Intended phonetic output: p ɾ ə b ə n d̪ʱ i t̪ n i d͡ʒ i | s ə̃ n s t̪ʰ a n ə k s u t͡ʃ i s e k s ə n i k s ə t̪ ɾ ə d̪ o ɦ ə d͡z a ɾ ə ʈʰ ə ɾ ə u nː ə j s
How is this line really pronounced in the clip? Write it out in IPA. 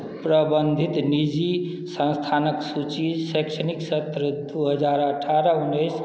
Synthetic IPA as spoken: p ɾ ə b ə n d̪ʱ i t̪ n i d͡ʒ i | s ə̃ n s t̪ʰ a n ə k s u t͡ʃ i s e k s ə n i k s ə t̪ ɾ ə d̪ u ɦ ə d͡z a ɾ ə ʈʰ a ɾ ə u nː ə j s